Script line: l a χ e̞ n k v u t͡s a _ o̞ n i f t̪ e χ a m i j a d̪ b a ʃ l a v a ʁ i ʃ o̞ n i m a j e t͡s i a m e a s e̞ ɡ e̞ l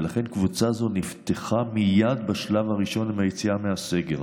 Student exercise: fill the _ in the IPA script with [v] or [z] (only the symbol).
z